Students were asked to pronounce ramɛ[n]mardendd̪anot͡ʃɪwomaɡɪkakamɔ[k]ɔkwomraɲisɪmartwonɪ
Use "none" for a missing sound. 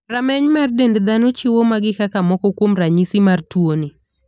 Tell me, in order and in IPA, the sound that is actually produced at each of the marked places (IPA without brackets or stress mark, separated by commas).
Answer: ɲ, k